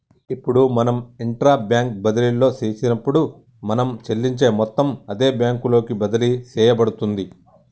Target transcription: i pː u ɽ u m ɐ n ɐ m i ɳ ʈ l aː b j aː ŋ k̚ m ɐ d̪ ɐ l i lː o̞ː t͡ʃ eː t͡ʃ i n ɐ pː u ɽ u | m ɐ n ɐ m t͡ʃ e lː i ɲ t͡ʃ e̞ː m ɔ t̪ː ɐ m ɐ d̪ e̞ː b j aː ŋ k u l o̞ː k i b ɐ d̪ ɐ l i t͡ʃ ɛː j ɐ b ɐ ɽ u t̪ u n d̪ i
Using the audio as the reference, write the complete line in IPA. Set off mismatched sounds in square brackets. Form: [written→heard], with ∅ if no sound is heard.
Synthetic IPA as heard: i pː u ɽ u m ɐ n ɐ m i ɳ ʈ [l→ɾ] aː b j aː ŋ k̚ [m→b] ɐ d̪ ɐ l i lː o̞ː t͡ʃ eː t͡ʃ i n ɐ pː u ɽ u | m ɐ n ɐ m t͡ʃ e lː i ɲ t͡ʃ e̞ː m ɔ t̪ː ɐ m ɐ d̪ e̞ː b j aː ŋ k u l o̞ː k i b ɐ d̪ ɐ l i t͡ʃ ɛː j ɐ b ɐ ɽ u t̪ u n d̪ i